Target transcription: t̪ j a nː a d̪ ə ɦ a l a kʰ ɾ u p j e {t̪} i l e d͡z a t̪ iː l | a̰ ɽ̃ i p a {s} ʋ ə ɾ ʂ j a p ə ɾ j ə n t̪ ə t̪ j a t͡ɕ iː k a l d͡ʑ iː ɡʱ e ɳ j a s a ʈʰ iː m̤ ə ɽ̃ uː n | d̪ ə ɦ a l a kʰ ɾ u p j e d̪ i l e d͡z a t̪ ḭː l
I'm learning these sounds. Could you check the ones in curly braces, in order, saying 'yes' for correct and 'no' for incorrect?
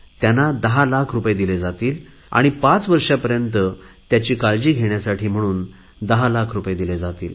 no, no

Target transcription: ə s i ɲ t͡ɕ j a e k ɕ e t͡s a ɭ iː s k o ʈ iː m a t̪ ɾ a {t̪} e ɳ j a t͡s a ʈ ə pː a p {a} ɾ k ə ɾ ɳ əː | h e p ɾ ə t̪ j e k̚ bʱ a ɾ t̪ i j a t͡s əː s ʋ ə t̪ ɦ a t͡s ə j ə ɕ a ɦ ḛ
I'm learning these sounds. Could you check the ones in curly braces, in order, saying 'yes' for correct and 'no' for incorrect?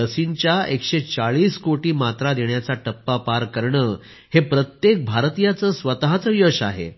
no, yes

